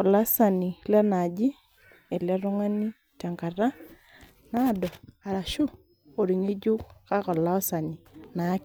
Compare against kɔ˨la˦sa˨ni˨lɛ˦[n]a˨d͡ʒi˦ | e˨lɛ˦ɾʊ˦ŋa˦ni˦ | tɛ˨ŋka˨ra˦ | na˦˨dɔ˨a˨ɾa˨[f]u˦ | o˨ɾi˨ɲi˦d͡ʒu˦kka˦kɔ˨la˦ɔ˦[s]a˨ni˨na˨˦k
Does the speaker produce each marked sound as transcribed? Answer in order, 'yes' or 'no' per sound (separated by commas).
yes, no, yes